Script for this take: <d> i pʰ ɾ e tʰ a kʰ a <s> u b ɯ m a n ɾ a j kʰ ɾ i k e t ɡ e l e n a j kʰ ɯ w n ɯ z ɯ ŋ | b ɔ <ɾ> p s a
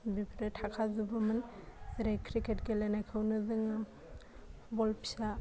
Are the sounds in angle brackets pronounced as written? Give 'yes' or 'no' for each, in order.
no, no, no

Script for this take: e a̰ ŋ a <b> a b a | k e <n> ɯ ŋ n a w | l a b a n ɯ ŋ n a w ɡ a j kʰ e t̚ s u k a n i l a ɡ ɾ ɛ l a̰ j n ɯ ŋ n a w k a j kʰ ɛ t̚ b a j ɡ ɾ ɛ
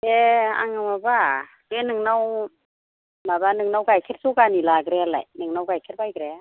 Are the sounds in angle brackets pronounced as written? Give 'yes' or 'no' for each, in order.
no, yes

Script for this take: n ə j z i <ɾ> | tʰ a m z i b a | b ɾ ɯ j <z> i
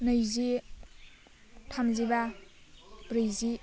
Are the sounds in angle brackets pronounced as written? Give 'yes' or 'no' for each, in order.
no, yes

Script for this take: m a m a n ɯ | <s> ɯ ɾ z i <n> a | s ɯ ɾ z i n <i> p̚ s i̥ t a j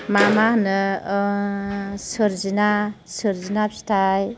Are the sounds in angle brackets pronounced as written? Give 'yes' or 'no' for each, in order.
yes, yes, no

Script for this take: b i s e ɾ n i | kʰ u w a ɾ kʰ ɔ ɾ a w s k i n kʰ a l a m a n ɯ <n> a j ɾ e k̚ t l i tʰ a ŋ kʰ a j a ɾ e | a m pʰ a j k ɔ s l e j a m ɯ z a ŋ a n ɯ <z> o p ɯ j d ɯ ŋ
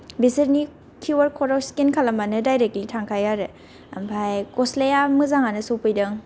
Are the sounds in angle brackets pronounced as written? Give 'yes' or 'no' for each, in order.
no, no

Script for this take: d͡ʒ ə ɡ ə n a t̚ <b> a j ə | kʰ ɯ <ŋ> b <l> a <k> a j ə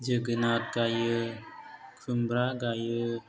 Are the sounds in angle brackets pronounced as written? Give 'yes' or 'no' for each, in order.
no, no, no, no

